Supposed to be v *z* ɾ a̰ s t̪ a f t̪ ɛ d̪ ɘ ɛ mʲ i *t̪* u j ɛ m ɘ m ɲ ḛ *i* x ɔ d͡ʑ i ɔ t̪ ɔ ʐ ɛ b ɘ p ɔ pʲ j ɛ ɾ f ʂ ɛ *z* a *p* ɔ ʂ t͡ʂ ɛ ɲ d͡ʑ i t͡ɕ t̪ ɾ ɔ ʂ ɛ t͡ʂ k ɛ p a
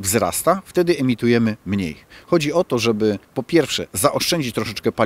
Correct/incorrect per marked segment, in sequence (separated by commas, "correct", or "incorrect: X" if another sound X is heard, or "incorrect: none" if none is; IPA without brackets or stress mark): correct, correct, incorrect: j, correct, incorrect: ʔ